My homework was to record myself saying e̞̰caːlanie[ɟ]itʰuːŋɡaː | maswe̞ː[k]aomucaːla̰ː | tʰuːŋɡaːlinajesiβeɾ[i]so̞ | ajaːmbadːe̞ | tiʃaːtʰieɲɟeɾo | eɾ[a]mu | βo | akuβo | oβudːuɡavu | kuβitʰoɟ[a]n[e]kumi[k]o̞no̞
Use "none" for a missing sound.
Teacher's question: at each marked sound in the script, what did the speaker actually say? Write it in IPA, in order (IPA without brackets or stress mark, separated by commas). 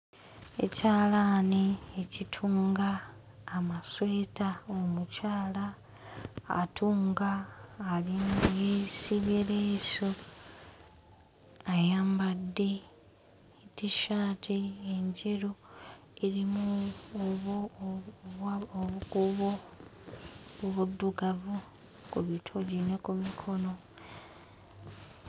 c, t, e, i, i, e, kʰ